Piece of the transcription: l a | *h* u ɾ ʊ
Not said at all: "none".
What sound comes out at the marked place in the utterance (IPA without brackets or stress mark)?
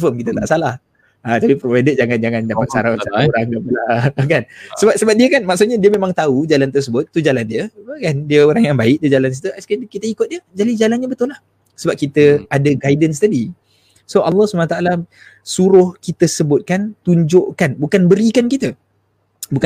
s